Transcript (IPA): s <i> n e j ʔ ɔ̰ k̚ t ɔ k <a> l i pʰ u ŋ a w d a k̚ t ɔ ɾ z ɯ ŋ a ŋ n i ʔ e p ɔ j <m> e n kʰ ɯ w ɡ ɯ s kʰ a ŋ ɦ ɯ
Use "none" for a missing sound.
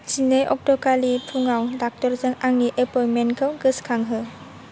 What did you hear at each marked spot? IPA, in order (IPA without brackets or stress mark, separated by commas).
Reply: i, a, m